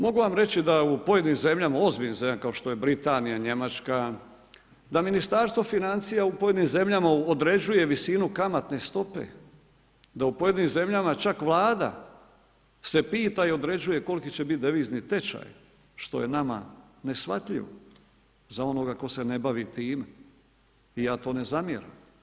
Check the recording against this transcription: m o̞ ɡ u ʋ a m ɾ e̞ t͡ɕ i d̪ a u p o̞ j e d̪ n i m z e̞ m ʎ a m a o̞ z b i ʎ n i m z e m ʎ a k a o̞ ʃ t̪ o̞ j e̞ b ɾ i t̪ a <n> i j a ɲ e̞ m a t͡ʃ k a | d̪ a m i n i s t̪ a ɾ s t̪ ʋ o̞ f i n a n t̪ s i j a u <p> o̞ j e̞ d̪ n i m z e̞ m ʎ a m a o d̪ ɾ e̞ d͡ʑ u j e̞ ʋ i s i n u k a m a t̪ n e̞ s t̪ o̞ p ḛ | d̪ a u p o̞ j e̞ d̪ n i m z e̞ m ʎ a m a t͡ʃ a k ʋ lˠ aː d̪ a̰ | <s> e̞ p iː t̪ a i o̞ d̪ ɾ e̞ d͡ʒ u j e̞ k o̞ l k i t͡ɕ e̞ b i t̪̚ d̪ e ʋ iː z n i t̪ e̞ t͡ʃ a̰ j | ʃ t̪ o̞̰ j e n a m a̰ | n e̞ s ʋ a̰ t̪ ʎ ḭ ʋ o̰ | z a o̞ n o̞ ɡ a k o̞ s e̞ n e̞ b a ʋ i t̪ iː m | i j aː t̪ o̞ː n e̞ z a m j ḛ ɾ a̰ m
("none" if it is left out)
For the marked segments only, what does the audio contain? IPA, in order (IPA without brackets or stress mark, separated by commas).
n, p, s